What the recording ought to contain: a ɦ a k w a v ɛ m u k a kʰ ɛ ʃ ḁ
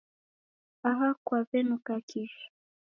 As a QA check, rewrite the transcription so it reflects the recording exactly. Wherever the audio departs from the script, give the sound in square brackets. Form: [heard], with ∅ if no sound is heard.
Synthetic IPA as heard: a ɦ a k w a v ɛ [n] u k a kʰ [i] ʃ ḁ